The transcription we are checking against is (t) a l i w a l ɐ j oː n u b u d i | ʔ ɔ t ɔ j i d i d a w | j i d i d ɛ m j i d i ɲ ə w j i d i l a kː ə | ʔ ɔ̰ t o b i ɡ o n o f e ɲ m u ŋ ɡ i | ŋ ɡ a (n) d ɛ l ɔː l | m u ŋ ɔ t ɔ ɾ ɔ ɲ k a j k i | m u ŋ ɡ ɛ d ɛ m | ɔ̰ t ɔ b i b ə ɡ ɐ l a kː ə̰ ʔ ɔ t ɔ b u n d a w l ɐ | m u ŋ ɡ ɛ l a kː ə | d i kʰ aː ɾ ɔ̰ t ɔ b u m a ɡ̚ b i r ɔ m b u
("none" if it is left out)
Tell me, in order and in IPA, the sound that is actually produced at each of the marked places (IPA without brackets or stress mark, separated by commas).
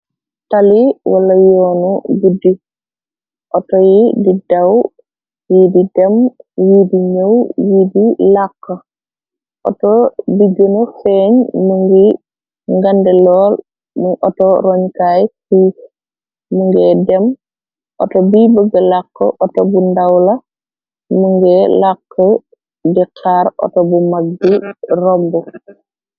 t, n